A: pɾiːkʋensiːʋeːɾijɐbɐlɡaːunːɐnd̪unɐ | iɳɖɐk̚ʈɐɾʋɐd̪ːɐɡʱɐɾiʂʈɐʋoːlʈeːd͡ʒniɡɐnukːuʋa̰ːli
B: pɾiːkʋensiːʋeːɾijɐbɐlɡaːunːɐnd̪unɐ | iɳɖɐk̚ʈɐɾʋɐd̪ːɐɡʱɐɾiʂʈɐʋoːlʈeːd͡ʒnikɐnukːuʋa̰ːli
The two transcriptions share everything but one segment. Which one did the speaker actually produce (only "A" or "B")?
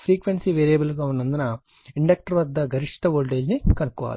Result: B